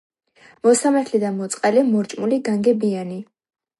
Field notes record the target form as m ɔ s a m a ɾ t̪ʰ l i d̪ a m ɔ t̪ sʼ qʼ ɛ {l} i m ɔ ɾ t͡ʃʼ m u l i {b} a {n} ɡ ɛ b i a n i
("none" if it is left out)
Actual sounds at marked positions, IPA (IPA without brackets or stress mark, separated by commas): l, ɡ, ŋ